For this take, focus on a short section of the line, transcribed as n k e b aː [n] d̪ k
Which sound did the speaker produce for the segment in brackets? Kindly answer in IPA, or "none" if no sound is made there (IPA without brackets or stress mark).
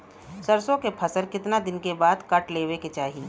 none